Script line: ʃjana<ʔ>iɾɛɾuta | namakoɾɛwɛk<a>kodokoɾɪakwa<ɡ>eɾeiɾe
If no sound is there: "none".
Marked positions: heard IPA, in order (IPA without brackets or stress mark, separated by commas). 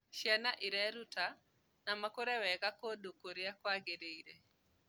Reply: ʔ, a, ɡ